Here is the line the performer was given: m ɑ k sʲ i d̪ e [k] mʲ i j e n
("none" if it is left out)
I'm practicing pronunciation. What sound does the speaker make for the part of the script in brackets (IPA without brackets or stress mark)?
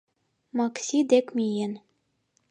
k